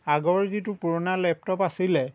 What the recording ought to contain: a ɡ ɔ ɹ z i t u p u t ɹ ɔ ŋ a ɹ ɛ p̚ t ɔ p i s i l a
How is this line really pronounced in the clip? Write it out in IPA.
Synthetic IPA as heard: a ɡ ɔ ɹ z i t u p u ɹ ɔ n a l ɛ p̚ t ɔ p a s i l ɛ